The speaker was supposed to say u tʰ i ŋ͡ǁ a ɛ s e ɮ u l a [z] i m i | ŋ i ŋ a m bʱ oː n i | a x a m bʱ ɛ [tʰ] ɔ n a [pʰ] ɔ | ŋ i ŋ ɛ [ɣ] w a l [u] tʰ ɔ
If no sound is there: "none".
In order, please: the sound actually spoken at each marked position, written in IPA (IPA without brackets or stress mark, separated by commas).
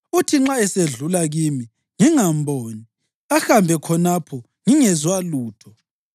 ɣ, kʰ, pʰ, z, uː